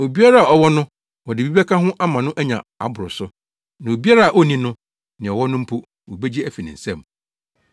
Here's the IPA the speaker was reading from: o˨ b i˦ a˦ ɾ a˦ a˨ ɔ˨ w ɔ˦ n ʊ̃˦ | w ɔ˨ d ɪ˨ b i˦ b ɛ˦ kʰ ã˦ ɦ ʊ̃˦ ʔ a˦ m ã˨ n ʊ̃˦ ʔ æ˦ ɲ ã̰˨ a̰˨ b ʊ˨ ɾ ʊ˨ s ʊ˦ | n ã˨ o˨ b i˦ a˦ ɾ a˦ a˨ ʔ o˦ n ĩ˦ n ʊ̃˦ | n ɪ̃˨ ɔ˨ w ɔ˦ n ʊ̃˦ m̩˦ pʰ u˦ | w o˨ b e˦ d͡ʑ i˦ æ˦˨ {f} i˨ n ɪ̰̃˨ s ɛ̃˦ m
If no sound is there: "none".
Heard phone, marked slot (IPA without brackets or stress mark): f